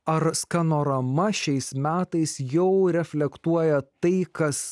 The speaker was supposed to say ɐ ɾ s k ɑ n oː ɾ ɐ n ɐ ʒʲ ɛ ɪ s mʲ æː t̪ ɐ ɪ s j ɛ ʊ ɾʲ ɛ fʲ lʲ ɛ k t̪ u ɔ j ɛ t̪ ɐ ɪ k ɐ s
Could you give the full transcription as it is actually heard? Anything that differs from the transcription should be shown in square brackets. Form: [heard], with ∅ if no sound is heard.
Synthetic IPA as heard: ɐ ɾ s k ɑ n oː ɾ ɐ [m] ɐ [ʃʲ] ɛ ɪ s mʲ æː t̪ ɐ ɪ s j ɛ ʊ ɾʲ ɛ fʲ lʲ ɛ k t̪ u ɔ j ɛ t̪ ɐ ɪ k ɐ s